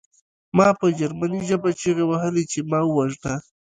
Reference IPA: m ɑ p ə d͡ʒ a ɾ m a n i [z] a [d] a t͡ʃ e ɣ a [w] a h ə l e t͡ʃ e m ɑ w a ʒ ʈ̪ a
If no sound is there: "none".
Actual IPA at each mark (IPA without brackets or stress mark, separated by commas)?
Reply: ʒ, b, w